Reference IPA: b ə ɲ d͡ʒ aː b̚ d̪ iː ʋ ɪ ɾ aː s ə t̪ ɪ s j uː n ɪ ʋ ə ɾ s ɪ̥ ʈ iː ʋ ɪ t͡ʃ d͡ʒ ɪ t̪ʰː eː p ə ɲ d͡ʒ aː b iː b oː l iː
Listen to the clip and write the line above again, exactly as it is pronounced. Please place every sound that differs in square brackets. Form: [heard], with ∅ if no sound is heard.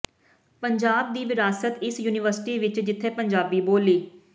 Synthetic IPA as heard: [p] ə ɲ d͡ʒ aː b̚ d̪ iː ʋ ɪ ɾ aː s ə t̪ ɪ s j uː n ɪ ʋ ə ɾ s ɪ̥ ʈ iː ʋ ɪ t͡ʃ d͡ʒ ɪ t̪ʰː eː p ə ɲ d͡ʒ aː b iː b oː l iː